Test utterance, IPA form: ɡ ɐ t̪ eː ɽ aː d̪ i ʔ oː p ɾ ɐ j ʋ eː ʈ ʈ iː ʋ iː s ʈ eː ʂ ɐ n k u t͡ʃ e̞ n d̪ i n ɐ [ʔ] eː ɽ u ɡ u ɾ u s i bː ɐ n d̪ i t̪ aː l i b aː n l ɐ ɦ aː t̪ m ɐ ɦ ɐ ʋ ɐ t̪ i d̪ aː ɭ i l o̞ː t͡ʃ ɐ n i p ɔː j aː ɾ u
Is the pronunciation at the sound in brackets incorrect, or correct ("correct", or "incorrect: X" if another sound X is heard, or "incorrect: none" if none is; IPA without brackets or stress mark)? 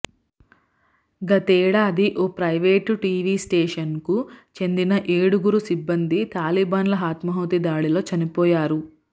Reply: correct